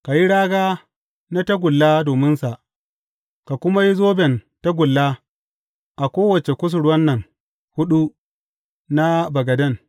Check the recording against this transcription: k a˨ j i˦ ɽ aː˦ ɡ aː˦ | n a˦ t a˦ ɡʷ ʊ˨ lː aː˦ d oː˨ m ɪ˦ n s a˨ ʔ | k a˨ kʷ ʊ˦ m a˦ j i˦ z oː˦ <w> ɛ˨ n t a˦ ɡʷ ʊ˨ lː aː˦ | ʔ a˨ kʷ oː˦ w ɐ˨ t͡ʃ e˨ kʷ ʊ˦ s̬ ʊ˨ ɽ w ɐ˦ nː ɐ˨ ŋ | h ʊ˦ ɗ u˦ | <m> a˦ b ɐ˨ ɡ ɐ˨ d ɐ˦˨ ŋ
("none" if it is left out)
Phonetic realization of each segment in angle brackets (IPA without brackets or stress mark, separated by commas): b, n